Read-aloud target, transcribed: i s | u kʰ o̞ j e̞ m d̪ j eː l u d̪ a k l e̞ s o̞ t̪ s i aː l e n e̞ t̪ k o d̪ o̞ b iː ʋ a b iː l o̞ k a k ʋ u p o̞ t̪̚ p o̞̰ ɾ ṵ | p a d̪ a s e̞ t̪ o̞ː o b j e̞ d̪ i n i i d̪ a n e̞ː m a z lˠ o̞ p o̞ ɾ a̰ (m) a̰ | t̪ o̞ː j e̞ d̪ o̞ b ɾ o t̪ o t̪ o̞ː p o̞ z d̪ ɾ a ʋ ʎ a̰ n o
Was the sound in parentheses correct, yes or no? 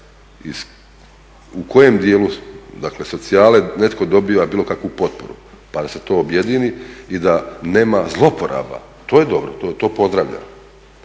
no